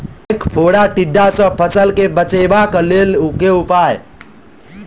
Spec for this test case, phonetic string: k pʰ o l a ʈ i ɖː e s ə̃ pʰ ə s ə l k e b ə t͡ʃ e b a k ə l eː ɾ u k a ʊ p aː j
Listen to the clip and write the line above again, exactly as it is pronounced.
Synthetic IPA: k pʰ o ɽ a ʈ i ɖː a s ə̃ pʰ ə s ə l k e b ə t͡ʃ e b a k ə l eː l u k e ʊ p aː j

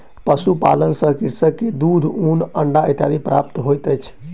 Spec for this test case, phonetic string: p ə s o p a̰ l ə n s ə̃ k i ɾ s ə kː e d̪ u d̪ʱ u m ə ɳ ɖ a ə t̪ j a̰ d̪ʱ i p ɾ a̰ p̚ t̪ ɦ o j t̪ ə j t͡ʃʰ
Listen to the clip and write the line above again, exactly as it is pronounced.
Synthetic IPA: p ə s u p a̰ l ə n s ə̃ k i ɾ s ə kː e d̪ u d̪ʱ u n ə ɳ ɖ a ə t̪ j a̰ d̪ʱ i p ɾ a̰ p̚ t̪ ɦ o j t̪ ə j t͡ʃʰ

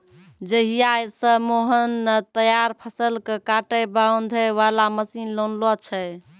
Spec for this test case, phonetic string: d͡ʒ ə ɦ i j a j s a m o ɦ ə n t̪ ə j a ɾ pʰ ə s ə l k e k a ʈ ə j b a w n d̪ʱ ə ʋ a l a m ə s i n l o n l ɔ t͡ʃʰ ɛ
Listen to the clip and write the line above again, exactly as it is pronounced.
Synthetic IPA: d͡ʒ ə ɦ i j a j s ə m o ɦ ə n t̪ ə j a ɾ pʰ ə s ə l k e k a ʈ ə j b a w n d̪ʱ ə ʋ a l a m ə s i n l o n l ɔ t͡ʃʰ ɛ

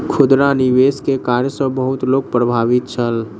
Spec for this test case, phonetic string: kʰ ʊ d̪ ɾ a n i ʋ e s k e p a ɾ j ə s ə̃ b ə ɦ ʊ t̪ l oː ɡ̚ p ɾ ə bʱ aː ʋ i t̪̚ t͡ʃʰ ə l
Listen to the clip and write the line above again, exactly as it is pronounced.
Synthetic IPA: kʰ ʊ d̪ ɾ a n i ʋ e s k e k a ɾ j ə s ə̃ b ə ɦ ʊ t̪ l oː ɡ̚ p ɾ ə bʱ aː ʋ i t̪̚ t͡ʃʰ ə l

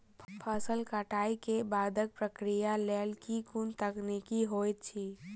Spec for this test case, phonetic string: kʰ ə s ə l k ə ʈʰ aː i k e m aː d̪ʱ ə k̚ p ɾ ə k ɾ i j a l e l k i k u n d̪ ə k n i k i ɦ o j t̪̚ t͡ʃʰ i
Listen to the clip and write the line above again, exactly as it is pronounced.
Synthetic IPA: pʰ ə s ə l k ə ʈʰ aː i k e b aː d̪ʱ ə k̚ p ɾ ə k ɾ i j a l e l k i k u n t̪ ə k n i k i ɦ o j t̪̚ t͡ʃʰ i

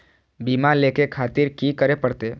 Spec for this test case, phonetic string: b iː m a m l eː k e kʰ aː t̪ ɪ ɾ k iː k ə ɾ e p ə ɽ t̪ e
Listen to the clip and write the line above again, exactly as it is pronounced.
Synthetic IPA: b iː m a l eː k e kʰ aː t̪ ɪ ɾ k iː k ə ɾ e p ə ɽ t̪ e

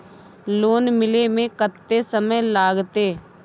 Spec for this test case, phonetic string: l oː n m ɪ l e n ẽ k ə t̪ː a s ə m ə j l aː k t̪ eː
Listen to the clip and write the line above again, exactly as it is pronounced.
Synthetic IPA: l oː n m ɪ l e m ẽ k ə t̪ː e s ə m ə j l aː ɡ t̪ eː

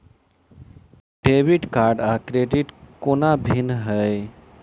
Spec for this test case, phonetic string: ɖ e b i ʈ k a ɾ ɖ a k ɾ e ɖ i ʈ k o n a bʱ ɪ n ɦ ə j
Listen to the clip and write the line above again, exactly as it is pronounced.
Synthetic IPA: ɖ e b i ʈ k a ɾ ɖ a k ɾ e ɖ i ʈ k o n a bʱ i n ɦ ə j

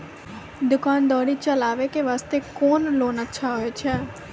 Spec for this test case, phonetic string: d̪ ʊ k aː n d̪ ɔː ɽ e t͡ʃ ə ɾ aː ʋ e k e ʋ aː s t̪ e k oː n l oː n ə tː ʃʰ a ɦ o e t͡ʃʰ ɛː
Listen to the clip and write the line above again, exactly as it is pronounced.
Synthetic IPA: d̪ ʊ k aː n d̪ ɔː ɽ i t͡ʃ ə l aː ʋ e k e ʋ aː s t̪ e k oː n l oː n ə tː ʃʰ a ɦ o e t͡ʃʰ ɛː

